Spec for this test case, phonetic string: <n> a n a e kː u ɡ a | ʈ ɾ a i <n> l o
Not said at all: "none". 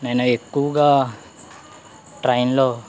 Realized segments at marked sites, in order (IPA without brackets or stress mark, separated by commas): n, n